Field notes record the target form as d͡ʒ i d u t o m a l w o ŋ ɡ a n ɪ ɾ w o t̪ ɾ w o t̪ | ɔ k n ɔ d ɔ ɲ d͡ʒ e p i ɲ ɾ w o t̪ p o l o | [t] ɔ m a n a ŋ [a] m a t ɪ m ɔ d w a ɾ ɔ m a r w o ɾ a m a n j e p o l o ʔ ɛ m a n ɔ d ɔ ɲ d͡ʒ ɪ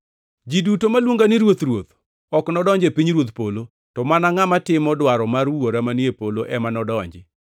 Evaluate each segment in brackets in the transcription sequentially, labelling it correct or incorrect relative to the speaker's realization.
correct, correct

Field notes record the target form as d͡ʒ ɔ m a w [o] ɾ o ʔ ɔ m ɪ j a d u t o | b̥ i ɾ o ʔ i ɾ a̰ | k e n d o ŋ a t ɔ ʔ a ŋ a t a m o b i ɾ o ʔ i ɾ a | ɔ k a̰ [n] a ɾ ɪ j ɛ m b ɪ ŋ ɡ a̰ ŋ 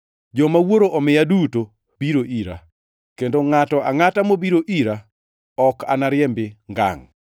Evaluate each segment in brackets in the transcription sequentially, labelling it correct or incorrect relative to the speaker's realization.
correct, correct

